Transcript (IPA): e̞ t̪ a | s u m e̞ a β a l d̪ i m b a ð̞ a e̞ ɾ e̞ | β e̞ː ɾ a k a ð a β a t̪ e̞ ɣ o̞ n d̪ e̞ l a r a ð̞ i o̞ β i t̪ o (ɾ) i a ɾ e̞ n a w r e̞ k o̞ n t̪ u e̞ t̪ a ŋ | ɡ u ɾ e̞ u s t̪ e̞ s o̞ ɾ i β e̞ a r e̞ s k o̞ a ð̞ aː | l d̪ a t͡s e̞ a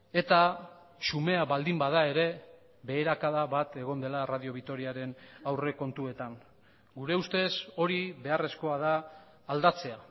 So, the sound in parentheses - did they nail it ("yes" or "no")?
yes